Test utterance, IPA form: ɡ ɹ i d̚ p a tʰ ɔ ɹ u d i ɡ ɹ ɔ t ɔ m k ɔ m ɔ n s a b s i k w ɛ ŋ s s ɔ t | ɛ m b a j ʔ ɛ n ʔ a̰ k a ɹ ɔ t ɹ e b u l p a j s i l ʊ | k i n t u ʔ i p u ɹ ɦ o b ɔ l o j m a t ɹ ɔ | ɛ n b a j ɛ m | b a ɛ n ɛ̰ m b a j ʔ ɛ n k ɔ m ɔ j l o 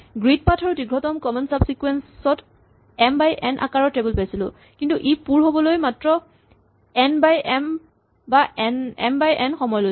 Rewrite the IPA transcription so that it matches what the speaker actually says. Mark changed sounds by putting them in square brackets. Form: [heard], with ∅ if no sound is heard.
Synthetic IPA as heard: ɡ ɹ i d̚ p a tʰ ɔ ɹ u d i ɡ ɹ ɔ t ɔ m k ɔ m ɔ n s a b s i k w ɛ [n] s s ɔ t | ɛ m b a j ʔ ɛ n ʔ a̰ k a ɹ ɔ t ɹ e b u l p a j s i l ʊ | k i n t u ʔ i p u ɹ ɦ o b ɔ l o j m a t ɹ ɔ | ɛ n b a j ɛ m | b a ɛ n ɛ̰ m b a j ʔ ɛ n [x] ɔ m ɔ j l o